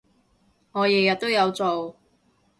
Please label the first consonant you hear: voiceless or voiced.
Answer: voiced